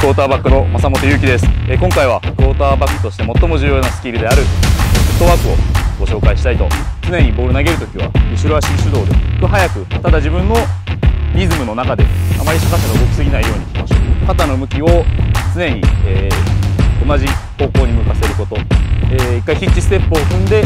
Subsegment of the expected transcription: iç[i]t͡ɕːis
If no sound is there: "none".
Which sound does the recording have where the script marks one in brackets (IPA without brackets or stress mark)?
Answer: i